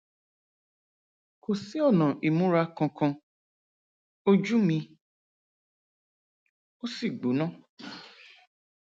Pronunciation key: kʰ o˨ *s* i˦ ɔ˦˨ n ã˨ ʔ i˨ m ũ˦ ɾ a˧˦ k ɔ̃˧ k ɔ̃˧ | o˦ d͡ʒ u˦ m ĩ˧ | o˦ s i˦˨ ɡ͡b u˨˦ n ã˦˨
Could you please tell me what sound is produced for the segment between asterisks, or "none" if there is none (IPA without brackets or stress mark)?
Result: s